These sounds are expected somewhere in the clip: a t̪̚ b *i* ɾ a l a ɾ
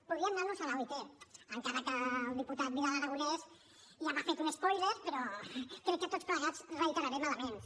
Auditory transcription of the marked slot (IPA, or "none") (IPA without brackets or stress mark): i